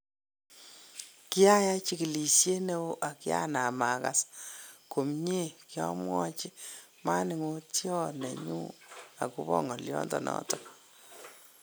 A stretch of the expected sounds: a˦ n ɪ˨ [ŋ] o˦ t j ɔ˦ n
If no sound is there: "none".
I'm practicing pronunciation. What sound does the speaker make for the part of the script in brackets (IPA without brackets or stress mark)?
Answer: ŋ